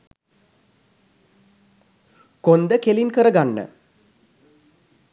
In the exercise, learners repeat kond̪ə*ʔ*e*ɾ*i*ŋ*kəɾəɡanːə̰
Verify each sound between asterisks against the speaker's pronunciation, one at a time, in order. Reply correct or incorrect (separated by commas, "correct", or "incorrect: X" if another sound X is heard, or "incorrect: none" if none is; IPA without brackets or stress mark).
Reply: incorrect: k, incorrect: l, incorrect: n